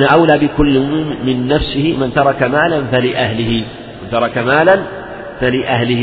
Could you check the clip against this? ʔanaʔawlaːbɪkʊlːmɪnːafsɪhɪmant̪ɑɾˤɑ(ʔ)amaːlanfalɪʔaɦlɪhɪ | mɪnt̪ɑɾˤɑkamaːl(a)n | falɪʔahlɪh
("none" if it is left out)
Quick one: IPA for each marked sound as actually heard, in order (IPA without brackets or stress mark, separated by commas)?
k, a